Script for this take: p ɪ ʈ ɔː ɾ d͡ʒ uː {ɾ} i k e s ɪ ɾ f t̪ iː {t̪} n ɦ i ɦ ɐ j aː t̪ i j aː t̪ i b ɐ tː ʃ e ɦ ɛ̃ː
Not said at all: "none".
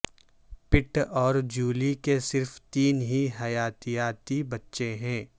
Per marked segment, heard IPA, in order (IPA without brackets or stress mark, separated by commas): l, none